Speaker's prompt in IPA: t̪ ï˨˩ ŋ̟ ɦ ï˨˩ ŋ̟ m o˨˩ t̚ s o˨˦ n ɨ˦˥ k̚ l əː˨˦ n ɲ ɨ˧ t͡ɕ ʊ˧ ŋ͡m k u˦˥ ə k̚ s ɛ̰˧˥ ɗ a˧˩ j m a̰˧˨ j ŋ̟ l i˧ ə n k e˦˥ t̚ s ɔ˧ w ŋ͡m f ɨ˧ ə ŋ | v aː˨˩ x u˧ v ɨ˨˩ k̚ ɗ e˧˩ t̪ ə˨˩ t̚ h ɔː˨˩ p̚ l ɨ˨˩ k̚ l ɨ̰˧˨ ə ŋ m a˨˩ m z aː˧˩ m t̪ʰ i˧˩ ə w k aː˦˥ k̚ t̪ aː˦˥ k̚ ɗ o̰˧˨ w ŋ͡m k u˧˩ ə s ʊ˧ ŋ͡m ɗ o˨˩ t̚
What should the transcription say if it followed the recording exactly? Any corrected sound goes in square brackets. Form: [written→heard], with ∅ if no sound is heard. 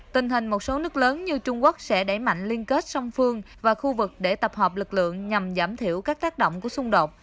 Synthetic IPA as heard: t̪ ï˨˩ ŋ̟ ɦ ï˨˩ ŋ̟ m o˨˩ t̚ s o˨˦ n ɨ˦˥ k̚ l əː˨˦ n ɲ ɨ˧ t͡ɕ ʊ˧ ŋ͡m k u˦˥ ə k̚ s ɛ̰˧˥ ɗ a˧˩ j m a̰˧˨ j ŋ̟ l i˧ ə n k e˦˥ t̚ s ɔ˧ w ŋ͡m f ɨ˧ ə ŋ | v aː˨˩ x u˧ v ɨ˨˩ k̚ ɗ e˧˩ t̪ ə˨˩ [t̚→p̚] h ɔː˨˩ p̚ l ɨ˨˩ k̚ l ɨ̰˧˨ ə ŋ [m→ɲ] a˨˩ m z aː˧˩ m t̪ʰ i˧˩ ə w k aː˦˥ k̚ t̪ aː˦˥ k̚ ɗ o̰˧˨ w ŋ͡m k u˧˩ ə s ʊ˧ ŋ͡m ɗ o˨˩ t̚